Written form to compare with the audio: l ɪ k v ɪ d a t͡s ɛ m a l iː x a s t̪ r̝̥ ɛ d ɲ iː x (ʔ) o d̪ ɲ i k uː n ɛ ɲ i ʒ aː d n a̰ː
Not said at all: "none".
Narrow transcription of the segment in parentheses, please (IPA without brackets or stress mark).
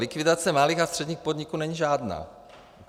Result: p